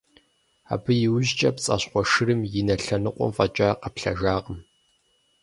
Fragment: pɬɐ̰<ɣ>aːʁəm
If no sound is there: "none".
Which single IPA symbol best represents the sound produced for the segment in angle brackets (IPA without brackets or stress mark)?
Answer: ʒ